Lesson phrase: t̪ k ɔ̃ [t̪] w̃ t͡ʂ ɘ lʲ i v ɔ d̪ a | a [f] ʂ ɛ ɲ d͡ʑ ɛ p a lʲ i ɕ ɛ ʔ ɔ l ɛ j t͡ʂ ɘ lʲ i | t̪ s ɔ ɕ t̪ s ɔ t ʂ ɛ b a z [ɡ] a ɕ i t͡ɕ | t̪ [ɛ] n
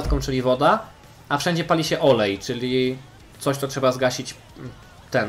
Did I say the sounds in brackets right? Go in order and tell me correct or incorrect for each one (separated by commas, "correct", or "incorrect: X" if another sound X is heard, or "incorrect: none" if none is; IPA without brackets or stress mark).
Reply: incorrect: none, correct, correct, correct